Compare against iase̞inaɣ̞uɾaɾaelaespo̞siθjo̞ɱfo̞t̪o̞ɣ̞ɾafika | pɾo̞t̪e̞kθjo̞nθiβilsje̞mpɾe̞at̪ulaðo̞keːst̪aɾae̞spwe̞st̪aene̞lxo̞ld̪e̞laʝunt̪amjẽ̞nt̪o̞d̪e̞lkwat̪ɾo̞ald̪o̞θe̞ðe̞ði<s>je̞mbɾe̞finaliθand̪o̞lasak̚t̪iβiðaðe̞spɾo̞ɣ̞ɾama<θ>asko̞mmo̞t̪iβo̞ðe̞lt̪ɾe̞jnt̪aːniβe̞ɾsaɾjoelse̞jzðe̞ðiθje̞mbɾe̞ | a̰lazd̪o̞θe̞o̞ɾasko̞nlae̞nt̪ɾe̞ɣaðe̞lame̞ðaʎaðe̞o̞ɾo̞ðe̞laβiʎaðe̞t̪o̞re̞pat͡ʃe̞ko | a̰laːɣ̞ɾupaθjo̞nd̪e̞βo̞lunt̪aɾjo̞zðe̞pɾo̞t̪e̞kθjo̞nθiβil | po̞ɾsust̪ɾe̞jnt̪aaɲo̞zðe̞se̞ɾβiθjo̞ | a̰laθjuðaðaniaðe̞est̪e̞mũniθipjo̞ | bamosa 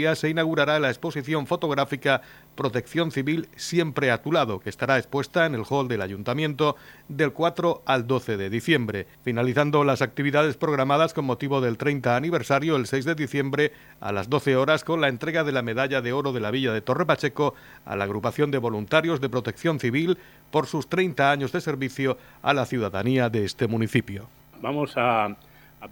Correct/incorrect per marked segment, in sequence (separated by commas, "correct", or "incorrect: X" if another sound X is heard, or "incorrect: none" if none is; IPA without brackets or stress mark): incorrect: θ, incorrect: ð